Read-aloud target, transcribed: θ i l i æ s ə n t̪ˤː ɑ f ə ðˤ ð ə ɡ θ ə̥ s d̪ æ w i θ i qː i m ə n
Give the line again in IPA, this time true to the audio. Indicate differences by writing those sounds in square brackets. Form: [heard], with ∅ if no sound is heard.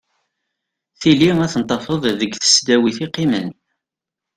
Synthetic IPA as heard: θ i l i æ [θ] ə n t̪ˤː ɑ f ə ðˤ ð ə ɡ θ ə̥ s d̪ æ w i θ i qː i m ə n